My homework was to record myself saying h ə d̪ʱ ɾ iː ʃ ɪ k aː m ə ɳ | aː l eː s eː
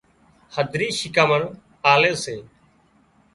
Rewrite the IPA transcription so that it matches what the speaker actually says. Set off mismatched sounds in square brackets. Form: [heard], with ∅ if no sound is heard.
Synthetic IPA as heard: h ə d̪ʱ ɾ iː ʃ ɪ k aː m ə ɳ | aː l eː s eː

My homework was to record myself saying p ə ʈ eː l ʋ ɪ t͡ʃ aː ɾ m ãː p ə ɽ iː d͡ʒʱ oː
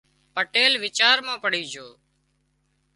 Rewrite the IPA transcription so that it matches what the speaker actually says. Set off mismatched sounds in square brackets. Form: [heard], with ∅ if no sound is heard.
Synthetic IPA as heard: p ə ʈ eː l ʋ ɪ t͡ʃ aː ɾ m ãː p ə ɽ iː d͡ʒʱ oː

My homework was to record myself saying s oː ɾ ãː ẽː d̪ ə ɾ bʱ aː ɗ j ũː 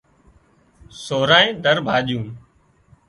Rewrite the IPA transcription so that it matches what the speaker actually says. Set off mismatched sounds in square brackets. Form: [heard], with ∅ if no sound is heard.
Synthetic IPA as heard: s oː ɾ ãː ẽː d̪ ə ɾ bʱ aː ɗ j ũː

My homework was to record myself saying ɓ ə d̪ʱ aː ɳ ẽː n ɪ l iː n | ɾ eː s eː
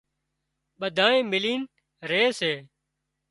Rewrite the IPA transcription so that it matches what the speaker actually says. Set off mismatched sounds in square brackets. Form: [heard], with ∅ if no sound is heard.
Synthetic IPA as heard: ɓ ə d̪ʱ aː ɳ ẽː [m] ɪ l iː n | ɾ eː s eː

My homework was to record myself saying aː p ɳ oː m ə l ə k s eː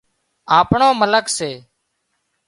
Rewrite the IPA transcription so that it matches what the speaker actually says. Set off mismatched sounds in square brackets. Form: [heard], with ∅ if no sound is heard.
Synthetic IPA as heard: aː p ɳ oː m ə l ə k s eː

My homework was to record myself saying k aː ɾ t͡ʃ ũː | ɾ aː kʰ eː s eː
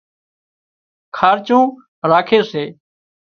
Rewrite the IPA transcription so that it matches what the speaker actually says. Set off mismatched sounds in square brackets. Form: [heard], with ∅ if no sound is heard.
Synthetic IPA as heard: [kʰ] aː ɾ t͡ʃ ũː | ɾ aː kʰ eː s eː

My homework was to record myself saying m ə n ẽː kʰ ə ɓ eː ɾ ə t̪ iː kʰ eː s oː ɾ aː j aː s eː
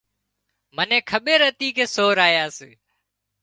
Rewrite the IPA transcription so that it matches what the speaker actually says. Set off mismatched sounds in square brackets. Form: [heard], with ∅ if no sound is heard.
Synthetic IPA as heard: m ə n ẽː kʰ ə ɓ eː ɾ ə t̪ iː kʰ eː s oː ɾ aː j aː s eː

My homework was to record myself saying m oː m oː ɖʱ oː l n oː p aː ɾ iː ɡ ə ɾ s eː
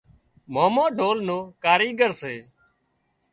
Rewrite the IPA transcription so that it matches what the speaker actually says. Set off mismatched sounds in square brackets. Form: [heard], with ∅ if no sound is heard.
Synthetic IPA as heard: m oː m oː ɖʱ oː l n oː [k] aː ɾ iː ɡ ə ɾ s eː

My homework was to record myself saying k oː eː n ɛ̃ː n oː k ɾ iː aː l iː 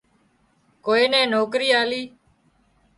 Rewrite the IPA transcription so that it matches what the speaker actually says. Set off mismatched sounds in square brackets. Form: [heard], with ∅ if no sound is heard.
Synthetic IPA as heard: k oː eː n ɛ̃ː n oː k ɾ iː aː l iː

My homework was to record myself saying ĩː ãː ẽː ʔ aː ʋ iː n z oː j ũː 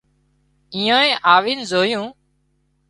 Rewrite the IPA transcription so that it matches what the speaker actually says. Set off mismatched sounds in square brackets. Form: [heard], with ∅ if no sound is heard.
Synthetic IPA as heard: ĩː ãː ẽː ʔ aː ʋ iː n z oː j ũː

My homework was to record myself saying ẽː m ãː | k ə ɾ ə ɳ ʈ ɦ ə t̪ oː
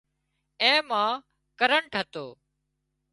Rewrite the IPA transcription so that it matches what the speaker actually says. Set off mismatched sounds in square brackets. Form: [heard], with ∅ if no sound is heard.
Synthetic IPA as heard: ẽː m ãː | k ə ɾ ə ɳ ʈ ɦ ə t̪ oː

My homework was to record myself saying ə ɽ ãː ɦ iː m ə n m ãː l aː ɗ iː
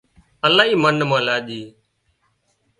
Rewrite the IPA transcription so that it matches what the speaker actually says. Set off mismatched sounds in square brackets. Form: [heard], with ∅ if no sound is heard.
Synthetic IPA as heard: ə [l] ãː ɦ iː m ə n m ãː l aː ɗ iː

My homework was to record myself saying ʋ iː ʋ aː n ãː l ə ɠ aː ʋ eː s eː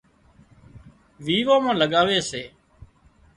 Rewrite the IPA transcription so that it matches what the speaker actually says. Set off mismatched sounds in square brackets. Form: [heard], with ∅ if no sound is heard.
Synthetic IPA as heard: ʋ iː ʋ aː [m] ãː l ə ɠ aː ʋ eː s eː

